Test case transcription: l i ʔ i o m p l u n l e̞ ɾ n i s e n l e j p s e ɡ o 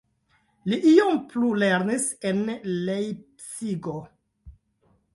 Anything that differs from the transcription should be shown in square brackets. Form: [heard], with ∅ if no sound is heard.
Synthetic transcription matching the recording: l i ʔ i o m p l u [∅] l e̞ ɾ n i s e n l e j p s [i] ɡ o